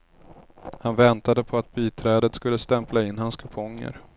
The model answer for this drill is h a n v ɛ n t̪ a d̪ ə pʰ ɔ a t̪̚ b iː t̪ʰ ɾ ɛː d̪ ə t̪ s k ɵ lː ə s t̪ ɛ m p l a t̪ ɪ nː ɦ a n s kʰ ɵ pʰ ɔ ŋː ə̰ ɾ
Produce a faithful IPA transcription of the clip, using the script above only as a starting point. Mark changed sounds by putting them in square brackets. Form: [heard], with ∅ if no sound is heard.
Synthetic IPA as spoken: h a n v ɛ n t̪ a d̪ ə pʰ ɔ a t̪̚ b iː t̪ʰ ɾ ɛː d̪ ə t̪ s k ɵ lː ə s t̪ ɛ m p l a [∅] ɪ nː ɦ a n s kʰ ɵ pʰ ɔ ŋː ə̰ ɾ